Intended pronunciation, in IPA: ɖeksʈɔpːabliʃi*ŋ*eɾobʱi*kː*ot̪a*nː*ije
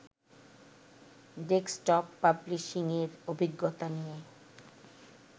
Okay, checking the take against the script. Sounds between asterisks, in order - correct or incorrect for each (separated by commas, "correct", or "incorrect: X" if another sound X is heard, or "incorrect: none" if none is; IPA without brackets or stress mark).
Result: correct, incorrect: ɡː, incorrect: n